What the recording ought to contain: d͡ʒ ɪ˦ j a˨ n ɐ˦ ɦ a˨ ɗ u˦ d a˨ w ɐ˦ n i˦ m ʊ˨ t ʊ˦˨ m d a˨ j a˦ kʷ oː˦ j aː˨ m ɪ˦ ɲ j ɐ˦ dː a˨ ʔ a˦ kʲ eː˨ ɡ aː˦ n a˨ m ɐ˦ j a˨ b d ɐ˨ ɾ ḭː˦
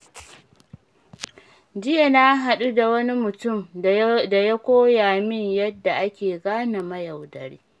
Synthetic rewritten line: d͡ʒ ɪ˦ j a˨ n a˦ ɦ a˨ ɗ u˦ d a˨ w ɐ˦ n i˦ m ʊ˨ t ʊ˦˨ m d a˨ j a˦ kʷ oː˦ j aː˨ m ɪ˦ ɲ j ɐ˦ dː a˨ ʔ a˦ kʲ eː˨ ɡ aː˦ n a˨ m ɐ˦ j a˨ w d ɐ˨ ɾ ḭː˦

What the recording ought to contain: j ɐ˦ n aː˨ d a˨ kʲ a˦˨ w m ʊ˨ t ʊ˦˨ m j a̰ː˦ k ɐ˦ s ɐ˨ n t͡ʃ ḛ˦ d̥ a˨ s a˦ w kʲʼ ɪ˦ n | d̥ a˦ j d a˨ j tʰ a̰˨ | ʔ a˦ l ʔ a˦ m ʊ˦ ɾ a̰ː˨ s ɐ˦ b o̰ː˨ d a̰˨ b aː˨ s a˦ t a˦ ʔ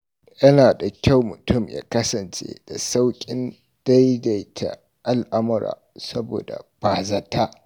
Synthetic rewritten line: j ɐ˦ n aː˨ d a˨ kʲ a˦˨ w m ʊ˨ t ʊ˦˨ m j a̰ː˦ k ɐ˦ s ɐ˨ n t͡ʃ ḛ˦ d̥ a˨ s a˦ w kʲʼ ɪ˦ n | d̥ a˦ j d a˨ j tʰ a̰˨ | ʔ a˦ l ʔ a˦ m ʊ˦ ɾ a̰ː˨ s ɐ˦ b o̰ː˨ d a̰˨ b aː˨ z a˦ t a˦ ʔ

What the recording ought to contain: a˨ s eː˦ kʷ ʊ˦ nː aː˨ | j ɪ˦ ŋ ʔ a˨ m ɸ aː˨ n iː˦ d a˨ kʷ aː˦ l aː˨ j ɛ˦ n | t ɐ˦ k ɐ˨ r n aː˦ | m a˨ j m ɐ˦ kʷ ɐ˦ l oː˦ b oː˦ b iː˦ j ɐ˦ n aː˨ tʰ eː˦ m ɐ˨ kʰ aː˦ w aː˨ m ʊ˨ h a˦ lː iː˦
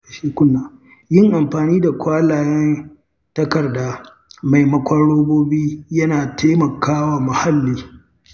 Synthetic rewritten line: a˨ ʃ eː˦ kʷ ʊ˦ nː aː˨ | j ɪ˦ ŋ ʔ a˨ m ɸ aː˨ n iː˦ d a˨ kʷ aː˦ l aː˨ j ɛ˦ n | t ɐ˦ k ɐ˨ r d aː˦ | m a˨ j m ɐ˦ kʷ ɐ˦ ɽ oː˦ b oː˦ b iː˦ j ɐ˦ n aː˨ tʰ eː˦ m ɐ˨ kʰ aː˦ w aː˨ m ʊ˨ h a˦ lː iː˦

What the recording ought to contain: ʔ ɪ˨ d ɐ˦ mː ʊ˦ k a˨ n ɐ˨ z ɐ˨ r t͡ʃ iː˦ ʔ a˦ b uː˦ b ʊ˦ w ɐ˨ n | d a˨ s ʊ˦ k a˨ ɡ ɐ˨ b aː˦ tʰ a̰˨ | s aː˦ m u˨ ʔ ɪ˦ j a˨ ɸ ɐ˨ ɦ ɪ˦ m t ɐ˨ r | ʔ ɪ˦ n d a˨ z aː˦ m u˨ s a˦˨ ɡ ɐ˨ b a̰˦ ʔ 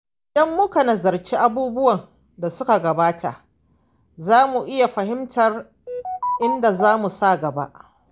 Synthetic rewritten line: ʔ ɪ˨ d ɐ˦ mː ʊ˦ k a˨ n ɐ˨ z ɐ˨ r t͡ʃ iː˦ ʔ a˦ b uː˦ b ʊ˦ w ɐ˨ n | d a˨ s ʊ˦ k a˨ ɡ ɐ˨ b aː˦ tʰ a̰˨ | z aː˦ m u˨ ʔ ɪ˦ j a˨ ɸ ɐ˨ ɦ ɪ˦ m t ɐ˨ r | ʔ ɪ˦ n d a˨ z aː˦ m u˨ s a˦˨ ɡ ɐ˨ b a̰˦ ʔ

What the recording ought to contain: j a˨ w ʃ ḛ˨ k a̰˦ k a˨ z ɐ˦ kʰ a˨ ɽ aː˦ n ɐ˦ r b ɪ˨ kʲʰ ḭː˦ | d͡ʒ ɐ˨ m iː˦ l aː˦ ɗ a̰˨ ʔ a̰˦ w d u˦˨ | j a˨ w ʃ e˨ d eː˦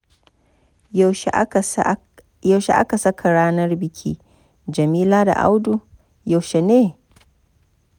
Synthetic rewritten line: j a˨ w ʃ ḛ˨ ʔ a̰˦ k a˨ s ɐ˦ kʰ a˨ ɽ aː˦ n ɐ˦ r b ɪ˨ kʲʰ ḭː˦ | d͡ʒ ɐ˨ m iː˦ l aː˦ d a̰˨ ʔ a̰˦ w d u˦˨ | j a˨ w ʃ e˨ n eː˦

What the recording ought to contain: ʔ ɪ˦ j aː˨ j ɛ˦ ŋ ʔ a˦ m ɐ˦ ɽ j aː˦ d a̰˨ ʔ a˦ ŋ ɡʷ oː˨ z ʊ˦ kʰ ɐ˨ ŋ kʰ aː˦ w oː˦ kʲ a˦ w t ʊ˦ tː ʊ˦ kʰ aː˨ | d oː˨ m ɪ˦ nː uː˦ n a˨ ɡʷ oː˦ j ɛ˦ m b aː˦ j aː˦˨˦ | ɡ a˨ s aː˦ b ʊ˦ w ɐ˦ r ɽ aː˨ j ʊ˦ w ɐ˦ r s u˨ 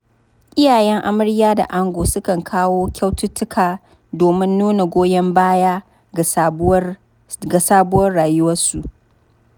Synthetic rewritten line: ʔ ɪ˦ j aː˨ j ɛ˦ ŋ ʔ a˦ m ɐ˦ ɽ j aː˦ d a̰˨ ʔ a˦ ŋ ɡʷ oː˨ s ʊ˦ k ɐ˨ ŋ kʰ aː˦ w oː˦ kʲ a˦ w t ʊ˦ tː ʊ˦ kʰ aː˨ | d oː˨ m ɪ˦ nː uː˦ n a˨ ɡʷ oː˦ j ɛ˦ m b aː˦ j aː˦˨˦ | ɡ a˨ s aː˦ b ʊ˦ w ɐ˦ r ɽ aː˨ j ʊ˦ w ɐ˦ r s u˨

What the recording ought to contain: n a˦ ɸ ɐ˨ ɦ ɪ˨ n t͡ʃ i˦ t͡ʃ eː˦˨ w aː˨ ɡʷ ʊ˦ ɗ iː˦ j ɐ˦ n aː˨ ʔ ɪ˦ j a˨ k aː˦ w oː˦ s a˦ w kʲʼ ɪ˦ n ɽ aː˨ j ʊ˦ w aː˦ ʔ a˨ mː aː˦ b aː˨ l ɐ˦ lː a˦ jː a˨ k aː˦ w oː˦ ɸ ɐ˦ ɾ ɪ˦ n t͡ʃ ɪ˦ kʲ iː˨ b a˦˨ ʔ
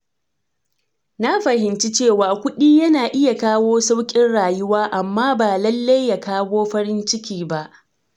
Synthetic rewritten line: n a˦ ɸ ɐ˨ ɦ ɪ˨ n t͡ʃ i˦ t͡ʃ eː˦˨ w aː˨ kʷ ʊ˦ ɗ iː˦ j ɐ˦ n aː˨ ʔ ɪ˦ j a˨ k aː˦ w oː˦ s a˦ w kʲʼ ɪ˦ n ɽ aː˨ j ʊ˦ w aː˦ ʔ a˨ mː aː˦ b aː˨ l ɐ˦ lː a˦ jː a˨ k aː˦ w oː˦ ɸ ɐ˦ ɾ ɪ˦ n t͡ʃ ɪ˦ kʲ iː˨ b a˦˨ ʔ

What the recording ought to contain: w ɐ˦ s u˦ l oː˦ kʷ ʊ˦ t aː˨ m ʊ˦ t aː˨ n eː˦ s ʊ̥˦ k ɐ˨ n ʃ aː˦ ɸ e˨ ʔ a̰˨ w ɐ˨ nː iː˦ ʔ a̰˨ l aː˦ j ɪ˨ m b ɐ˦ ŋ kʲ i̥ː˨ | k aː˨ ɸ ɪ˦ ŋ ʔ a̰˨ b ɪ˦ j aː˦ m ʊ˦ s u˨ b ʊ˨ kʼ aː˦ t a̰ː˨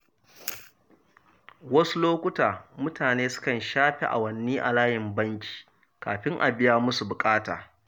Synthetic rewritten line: w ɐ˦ s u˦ l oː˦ kʷ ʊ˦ t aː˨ m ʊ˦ t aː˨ n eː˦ s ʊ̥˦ k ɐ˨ n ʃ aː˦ ɸ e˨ ʔ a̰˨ w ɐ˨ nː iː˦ ʔ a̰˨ l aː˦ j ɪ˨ m b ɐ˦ ŋ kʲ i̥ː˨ | k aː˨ ɸ ɪ˦ ŋ ʔ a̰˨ b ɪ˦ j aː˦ m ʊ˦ s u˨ b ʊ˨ kʼ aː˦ t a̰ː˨

